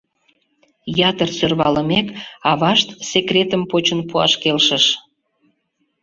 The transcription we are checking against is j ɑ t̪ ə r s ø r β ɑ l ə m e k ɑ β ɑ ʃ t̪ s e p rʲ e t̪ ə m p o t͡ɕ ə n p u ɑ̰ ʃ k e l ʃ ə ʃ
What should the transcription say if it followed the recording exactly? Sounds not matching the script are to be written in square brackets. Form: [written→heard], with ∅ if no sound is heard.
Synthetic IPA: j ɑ t̪ ə r s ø r β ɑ l ə m e k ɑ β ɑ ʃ t̪ s e [p→k] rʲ e t̪ ə m p o t͡ɕ ə n p u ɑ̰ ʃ k e l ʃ ə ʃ